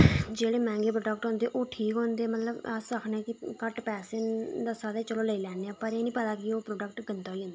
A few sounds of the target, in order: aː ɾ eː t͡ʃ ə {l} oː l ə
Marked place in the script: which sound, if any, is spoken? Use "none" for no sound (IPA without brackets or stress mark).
l